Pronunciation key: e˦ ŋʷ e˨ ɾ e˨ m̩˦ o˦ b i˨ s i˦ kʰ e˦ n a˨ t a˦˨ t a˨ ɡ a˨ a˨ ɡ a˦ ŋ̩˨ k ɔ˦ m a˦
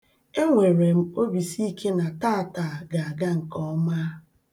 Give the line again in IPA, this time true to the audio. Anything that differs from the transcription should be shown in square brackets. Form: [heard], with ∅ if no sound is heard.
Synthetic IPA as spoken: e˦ ŋʷ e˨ ɾ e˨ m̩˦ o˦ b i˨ s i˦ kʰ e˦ n a˨ t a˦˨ t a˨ ɡ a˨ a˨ ɡ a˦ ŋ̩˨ k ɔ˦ m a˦